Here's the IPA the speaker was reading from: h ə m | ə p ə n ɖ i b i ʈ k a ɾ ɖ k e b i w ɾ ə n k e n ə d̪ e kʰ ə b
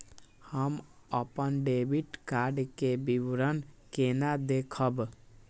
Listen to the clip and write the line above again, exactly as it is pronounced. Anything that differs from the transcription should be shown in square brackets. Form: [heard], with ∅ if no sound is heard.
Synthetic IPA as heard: h ə m | ə p ə n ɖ [e] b i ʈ k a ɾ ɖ k e b i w ɾ ə n k e n [a] d̪ e kʰ ə b